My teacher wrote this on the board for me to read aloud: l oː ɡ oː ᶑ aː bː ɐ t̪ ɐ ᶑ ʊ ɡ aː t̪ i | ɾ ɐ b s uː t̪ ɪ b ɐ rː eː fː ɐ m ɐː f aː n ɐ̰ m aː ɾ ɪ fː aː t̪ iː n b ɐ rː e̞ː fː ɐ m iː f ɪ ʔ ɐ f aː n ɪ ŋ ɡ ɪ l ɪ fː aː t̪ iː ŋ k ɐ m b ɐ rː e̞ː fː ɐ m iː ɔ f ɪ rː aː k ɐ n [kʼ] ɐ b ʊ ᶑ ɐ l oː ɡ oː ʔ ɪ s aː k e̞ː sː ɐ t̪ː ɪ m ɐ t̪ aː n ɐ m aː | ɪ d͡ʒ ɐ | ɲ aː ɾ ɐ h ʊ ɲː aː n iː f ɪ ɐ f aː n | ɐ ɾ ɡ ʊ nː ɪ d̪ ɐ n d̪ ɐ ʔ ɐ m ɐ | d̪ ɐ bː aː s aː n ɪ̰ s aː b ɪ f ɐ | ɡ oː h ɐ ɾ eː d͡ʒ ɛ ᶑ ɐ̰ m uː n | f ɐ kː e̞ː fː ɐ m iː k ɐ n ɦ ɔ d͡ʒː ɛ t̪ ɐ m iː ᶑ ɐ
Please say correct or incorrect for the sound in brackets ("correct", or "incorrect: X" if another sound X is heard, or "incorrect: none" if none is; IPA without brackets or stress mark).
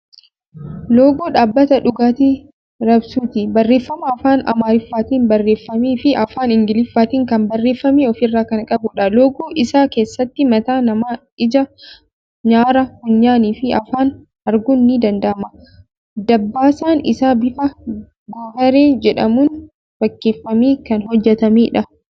correct